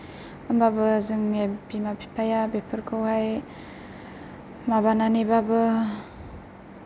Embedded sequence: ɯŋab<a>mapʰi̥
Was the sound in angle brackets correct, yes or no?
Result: no